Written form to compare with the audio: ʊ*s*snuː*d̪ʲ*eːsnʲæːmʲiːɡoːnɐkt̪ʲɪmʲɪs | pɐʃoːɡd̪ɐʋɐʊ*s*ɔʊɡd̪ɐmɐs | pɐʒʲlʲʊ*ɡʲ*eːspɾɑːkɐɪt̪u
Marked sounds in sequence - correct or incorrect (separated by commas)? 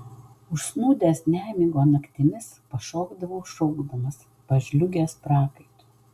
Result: incorrect, correct, incorrect, correct